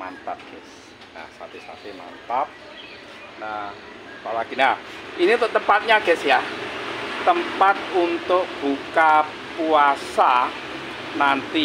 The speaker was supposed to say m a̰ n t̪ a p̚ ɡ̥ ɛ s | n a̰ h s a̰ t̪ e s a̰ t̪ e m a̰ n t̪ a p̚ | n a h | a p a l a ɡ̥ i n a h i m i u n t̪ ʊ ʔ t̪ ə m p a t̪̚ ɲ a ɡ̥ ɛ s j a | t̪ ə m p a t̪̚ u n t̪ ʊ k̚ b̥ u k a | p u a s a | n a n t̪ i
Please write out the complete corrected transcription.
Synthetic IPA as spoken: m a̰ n t̪ a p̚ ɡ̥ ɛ s | n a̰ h s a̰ t̪ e s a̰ t̪ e m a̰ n t̪ a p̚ | n a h | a p a l a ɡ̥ i n a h i n i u n t̪ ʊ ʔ t̪ ə m p a t̪̚ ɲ a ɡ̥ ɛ s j a | t̪ ə m p a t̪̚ u n t̪ ʊ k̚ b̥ u k a | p u a s a | n a n t̪ i

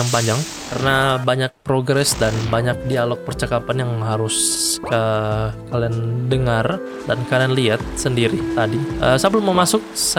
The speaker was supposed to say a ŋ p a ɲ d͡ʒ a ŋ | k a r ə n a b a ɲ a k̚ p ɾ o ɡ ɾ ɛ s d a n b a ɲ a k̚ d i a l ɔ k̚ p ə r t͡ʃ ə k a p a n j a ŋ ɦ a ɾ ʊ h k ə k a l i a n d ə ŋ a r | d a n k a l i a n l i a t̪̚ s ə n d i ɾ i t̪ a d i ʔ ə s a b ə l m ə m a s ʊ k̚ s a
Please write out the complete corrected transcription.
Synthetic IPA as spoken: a ŋ p a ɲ d͡ʒ a ŋ | k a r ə n a b a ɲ a k̚ p ɾ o ɡ ɾ ɛ s d a n b a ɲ a k̚ d i a l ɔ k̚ p ə r t͡ʃ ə k a p a n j a ŋ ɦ a ɾ ʊ s k ə k a l i a n d ə ŋ a r | d a n k a l i a n l i a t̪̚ s ə n d i ɾ i t̪ a d i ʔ ə s a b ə l m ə m a s ʊ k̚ s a

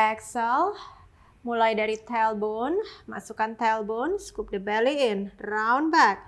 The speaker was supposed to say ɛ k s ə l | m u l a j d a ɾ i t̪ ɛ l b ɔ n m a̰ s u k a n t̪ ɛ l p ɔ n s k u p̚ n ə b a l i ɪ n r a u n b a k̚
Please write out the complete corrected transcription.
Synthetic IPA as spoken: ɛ k s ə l | m u l a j d a ɾ i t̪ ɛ l b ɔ n m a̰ s u k a n t̪ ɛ l b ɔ n s k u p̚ d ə b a l i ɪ n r a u n b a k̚

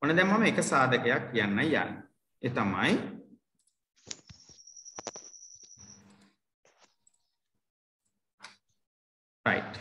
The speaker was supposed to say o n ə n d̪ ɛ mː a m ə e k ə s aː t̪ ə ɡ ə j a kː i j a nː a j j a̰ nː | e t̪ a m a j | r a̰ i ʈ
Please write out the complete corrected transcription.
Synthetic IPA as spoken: o n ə d̪ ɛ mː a m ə e k ə s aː d̪ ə k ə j a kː i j a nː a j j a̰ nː | e t̪ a m a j | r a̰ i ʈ

